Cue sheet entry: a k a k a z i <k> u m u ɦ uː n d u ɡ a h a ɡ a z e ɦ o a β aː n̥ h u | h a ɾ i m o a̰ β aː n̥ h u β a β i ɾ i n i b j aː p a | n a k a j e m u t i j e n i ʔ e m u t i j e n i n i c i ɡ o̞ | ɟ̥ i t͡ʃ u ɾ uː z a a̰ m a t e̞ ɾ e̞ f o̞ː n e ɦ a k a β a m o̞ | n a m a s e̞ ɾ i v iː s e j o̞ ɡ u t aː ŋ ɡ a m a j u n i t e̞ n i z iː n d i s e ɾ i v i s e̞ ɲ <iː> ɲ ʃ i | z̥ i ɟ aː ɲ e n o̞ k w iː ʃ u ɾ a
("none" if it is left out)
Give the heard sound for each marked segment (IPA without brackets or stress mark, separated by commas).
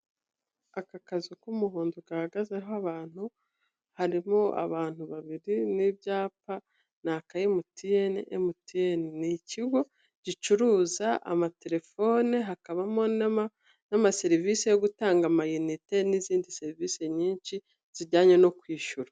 k, iː